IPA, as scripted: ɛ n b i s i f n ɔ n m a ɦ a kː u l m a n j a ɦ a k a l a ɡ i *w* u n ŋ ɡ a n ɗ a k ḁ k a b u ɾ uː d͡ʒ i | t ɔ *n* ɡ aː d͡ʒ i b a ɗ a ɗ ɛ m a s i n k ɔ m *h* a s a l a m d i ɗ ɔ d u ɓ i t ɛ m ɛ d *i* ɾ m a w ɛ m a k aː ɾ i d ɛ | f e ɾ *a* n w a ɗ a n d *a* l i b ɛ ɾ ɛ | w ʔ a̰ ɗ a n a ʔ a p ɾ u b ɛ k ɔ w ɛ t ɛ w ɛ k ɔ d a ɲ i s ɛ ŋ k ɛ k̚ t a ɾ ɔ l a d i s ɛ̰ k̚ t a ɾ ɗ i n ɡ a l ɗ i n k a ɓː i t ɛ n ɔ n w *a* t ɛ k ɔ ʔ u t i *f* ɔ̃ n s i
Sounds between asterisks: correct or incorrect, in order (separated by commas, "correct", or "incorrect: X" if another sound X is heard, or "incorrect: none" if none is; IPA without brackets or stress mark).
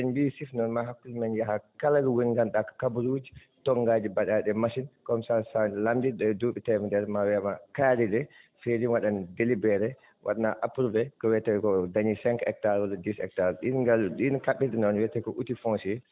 correct, incorrect: ŋ, incorrect: s, incorrect: ɛ, incorrect: i, incorrect: e, incorrect: ɛ, correct